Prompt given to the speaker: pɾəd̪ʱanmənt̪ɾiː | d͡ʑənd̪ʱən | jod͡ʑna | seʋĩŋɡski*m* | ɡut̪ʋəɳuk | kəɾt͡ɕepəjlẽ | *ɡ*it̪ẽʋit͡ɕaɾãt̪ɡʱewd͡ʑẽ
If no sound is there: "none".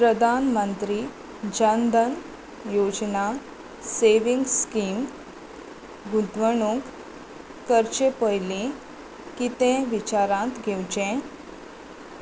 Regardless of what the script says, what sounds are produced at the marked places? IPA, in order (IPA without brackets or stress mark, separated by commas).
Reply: m, k